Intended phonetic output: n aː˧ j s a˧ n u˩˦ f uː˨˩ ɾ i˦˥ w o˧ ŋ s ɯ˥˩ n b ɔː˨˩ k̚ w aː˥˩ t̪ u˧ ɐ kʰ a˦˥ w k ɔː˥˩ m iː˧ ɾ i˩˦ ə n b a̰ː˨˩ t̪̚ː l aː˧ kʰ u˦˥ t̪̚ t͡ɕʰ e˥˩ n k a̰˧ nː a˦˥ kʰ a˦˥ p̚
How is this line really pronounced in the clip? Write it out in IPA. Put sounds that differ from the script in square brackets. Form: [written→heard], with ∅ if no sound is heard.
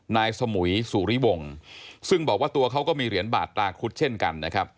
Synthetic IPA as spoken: n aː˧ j s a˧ [n→m] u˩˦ [f→s] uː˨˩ ɾ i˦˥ w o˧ ŋ s ɯ˥˩ [n→ŋ] b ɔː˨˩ k̚ w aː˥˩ t̪ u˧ ɐ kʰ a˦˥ w k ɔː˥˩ m iː˧ ɾ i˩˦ ə n b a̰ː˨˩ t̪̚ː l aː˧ kʰ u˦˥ t̪̚ t͡ɕʰ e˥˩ n k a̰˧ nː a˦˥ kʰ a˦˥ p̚